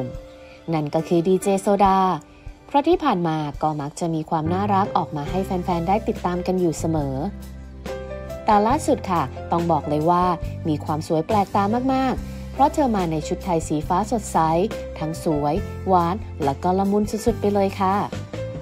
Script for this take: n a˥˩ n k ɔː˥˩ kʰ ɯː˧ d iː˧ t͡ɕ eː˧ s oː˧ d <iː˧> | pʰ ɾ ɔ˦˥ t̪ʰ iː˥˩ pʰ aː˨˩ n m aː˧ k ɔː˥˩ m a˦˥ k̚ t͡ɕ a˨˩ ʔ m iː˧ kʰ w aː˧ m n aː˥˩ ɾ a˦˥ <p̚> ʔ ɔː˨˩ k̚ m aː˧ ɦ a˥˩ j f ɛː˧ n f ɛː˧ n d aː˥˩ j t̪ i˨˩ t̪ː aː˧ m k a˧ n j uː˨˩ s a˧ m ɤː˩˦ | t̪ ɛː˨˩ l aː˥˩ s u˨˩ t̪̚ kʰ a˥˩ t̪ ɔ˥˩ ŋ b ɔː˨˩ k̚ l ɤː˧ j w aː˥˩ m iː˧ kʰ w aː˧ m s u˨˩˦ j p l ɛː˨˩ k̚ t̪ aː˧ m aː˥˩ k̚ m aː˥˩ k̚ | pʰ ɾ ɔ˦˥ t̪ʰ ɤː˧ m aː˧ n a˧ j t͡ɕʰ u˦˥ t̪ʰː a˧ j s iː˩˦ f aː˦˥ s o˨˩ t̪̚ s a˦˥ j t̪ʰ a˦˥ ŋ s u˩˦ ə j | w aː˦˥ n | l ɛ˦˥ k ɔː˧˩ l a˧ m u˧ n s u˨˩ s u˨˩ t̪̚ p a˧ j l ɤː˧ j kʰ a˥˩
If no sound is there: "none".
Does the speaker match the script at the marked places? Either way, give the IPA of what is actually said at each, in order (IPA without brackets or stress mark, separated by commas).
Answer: aː˧, k̚